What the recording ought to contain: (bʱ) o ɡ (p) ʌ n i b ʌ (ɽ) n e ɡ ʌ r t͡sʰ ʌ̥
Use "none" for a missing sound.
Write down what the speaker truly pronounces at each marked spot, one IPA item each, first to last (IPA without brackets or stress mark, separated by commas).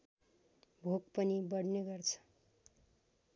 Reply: bʱ, p, ɽ